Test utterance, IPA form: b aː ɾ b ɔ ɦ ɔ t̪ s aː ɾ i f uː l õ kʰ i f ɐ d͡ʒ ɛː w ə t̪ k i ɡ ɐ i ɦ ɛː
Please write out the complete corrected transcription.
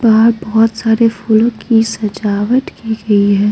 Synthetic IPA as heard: b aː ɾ b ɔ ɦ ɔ t̪ s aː ɾ e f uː l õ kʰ i s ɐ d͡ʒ aː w ə t̪ k i ɡ ɐ i ɦ ɛː